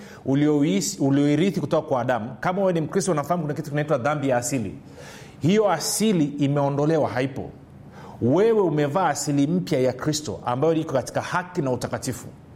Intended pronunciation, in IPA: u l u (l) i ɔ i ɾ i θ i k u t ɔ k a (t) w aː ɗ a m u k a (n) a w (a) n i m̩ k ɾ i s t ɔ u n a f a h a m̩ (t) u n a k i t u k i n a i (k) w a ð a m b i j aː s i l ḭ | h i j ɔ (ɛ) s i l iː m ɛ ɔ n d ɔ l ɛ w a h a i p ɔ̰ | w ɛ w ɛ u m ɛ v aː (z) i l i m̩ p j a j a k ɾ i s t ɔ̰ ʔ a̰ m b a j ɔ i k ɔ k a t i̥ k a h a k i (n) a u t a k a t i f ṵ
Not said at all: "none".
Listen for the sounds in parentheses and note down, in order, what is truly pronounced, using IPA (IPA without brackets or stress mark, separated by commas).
l, k, m, ɛ, k, t, a, s, n